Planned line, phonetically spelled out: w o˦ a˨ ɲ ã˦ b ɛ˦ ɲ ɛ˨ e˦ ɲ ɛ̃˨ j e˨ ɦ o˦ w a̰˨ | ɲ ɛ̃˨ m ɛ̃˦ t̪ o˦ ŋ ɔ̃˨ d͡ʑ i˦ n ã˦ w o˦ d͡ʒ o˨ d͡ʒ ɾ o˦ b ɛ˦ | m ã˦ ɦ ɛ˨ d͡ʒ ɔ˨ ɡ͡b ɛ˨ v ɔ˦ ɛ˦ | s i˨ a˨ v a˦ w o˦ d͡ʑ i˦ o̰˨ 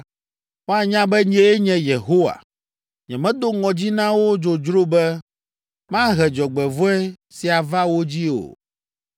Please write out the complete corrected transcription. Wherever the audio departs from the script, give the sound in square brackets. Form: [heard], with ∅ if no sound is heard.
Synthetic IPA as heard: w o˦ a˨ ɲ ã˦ b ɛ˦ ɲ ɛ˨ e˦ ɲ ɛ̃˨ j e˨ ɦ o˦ w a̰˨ | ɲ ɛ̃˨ m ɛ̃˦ [d̪] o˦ ŋ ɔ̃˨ d͡ʑ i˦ n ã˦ w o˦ d͡ʒ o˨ d͡ʒ ɾ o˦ b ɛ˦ | m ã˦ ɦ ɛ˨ d͡ʒ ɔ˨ ɡ͡b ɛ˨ v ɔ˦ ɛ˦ | s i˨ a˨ v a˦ w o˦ d͡ʑ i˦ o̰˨

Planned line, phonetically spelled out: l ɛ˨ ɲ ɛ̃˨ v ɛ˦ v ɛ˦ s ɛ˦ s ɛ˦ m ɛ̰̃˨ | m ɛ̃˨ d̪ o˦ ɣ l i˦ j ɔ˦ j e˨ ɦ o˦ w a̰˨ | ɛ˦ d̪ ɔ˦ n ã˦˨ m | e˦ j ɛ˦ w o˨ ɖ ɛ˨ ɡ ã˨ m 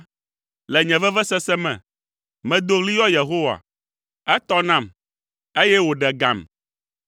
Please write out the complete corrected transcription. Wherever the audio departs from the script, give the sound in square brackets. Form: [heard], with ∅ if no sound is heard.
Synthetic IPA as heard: l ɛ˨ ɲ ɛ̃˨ v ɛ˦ v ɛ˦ s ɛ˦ s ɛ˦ m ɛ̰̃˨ | m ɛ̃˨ d̪ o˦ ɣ l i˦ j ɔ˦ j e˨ ɦ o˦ w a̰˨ | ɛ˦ [t̪] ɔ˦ n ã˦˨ m | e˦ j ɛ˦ w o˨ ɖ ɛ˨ ɡ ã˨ m

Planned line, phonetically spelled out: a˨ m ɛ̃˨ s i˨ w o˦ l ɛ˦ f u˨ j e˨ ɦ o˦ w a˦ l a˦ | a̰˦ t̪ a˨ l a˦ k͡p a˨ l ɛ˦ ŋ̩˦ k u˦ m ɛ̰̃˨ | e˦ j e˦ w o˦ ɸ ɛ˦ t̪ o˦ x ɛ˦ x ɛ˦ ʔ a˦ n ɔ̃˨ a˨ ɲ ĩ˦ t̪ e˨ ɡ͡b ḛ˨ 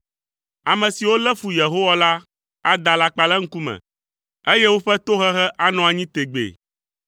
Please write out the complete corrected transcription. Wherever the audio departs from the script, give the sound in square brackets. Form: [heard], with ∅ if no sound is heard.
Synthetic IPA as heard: a˨ m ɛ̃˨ s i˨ w o˦ l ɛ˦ f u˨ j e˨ ɦ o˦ w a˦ l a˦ | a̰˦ [d̪] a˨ l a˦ k͡p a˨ l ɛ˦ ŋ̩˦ k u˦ m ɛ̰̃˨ | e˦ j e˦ w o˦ ɸ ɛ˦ t̪ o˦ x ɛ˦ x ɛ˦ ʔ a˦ n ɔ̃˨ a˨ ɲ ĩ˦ t̪ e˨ ɡ͡b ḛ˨

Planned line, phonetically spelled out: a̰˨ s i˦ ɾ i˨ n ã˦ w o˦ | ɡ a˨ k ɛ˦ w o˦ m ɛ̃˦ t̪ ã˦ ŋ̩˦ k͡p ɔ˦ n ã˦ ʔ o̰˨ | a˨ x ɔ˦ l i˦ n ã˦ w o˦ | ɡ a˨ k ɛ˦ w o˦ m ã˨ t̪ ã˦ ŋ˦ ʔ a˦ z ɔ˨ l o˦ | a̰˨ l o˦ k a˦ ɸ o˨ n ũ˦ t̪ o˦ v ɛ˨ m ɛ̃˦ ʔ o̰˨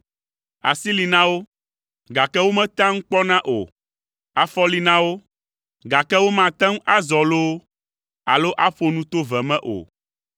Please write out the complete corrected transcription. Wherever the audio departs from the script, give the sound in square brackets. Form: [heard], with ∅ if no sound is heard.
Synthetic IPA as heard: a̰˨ s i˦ [l] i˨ n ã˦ w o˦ | ɡ a˨ k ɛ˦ w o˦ m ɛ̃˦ t̪ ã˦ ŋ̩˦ k͡p ɔ˦ n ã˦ ʔ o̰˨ | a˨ [f] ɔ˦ l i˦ n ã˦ w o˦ | ɡ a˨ k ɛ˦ w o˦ m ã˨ t̪ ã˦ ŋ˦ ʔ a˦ z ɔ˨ l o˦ | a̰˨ l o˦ [ʔ] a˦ ɸ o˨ n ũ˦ t̪ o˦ v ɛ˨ m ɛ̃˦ ʔ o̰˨

